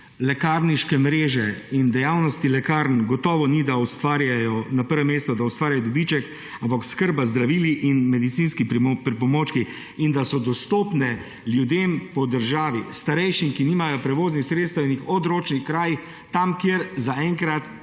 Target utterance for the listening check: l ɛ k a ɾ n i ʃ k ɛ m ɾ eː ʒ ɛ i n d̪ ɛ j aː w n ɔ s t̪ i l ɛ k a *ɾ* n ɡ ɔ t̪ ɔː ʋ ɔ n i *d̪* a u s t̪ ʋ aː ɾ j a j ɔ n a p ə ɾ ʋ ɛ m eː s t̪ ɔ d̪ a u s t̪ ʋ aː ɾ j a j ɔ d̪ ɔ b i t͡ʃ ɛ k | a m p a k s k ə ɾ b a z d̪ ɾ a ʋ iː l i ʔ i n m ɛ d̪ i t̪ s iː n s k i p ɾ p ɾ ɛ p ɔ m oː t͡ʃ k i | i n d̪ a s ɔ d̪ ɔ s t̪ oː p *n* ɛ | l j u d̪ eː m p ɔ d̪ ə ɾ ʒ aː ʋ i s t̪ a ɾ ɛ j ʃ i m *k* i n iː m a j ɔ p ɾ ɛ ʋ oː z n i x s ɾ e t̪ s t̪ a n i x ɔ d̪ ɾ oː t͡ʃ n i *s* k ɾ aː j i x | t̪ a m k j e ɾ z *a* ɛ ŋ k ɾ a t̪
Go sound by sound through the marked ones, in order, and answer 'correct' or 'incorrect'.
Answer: correct, correct, correct, correct, incorrect: x, correct

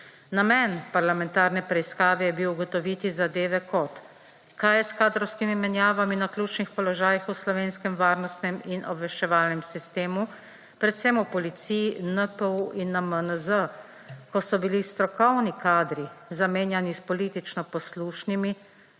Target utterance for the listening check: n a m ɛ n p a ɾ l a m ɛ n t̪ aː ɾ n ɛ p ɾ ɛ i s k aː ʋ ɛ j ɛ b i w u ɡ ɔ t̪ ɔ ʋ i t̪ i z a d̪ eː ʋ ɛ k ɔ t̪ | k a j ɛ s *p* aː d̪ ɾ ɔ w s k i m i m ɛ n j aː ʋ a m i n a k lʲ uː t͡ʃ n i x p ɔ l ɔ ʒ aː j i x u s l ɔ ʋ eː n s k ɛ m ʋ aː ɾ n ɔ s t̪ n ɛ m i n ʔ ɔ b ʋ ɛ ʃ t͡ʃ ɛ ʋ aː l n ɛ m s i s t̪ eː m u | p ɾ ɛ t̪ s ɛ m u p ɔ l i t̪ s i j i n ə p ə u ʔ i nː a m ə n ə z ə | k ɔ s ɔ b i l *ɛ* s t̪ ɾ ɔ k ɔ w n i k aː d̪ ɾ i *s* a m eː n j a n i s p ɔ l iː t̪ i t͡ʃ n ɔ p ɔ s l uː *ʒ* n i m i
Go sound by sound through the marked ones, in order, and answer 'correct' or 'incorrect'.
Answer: incorrect: k, incorrect: i, incorrect: z, incorrect: ʃ

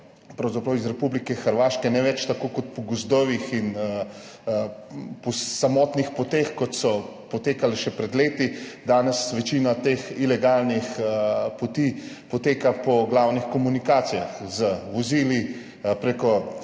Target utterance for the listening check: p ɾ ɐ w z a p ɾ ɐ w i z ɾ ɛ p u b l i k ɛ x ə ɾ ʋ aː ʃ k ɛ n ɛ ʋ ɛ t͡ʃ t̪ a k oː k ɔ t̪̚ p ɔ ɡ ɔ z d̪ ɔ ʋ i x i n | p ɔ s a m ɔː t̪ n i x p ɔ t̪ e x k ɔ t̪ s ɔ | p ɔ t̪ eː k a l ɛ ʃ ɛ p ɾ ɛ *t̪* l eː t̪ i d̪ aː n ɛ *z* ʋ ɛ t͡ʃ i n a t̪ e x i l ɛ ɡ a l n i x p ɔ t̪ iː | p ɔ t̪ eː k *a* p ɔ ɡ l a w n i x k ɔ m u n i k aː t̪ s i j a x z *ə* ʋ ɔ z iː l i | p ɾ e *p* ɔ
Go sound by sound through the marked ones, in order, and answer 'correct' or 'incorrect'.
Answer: incorrect: d̪, incorrect: s, correct, correct, incorrect: k

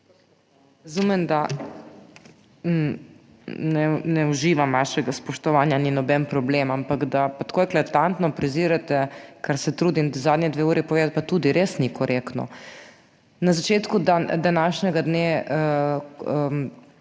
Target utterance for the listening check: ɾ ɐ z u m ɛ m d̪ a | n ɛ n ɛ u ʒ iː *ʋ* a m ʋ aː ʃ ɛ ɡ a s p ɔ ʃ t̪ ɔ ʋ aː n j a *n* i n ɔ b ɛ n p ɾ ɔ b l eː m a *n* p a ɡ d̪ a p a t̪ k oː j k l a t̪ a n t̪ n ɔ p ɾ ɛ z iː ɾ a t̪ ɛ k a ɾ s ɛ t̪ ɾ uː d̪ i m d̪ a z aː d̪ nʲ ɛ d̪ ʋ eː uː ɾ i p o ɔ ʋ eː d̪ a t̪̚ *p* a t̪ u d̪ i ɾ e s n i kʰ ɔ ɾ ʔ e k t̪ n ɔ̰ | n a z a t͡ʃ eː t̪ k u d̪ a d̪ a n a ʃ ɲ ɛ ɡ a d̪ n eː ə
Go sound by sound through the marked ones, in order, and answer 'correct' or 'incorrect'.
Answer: correct, correct, incorrect: m, correct

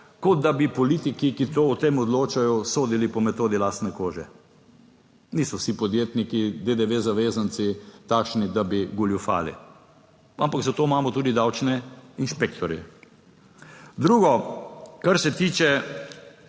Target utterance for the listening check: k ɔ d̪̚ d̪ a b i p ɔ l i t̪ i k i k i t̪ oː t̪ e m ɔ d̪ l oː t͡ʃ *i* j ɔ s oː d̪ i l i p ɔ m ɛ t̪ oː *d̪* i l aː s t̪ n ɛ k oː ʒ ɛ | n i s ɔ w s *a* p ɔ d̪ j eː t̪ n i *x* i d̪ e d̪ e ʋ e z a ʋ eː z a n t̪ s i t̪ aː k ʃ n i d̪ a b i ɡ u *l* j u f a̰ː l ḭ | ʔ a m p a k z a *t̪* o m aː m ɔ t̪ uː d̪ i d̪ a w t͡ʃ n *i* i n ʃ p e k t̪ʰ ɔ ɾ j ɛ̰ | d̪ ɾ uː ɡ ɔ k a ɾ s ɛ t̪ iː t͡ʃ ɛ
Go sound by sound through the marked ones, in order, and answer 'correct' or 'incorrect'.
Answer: incorrect: a, correct, incorrect: i, incorrect: k, correct, correct, incorrect: ɛ

